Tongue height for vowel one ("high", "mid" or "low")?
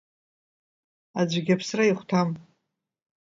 low